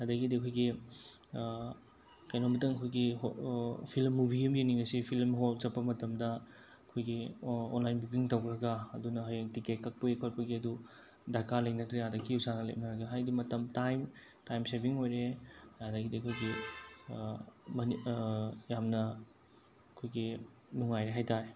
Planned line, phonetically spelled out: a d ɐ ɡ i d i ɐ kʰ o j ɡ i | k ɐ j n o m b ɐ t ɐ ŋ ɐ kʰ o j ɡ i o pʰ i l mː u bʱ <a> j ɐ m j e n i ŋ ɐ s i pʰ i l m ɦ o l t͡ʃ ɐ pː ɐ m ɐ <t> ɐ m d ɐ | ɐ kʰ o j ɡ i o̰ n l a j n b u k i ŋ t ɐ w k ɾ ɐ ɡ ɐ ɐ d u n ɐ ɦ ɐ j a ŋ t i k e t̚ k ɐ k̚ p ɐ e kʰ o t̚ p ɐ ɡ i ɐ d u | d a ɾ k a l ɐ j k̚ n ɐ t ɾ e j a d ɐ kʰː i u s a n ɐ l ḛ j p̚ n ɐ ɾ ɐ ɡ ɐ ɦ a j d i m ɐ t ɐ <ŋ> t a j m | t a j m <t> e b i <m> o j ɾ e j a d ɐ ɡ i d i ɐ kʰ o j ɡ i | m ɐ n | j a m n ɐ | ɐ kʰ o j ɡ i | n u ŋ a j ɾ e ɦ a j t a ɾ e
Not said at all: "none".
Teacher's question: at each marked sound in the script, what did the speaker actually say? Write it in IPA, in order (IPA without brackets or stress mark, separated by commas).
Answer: i, t, m, s, ŋ